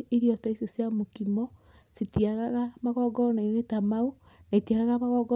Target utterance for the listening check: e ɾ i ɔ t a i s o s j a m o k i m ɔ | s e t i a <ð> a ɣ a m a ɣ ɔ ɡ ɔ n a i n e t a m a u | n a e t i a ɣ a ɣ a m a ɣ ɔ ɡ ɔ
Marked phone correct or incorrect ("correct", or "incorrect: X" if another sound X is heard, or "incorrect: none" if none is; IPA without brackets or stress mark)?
incorrect: ɣ